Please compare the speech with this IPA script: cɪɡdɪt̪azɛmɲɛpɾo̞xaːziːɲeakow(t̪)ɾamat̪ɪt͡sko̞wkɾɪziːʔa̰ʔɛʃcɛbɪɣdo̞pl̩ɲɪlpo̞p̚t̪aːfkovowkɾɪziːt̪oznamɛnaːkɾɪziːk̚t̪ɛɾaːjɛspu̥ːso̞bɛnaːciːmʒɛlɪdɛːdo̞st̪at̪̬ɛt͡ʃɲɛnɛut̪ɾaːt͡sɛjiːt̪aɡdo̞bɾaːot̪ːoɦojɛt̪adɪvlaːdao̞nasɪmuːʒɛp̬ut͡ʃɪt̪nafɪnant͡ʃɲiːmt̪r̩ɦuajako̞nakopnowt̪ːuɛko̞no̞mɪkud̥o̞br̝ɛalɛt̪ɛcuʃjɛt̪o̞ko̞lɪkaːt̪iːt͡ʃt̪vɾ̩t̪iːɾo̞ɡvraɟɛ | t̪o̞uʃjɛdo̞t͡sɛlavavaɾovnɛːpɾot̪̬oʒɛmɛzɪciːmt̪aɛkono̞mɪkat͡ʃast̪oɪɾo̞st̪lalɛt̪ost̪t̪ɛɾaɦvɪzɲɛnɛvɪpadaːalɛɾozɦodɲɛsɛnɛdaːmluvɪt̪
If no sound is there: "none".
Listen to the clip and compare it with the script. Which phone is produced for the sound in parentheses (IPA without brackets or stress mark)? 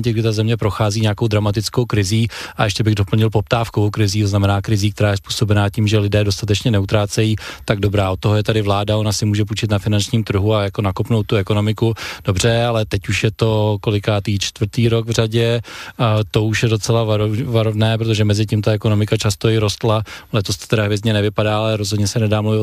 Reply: d̪